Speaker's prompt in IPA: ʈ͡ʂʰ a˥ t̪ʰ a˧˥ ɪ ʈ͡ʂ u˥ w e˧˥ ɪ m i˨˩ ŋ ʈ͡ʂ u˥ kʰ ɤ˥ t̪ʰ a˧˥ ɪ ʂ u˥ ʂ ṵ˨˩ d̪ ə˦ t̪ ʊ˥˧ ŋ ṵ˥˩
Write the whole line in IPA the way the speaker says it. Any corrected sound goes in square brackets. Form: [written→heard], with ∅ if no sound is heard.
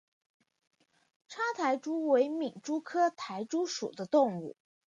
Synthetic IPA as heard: ʈ͡ʂʰ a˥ t̪ʰ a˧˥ ɪ ʈ͡ʂ u˥ w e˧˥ ɪ m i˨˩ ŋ ʈ͡ʂ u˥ kʰ ɤ˥ t̪ʰ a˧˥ ɪ [ʂ→ʈ͡ʂ] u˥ ʂ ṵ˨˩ d̪ ə˦ t̪ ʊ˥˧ ŋ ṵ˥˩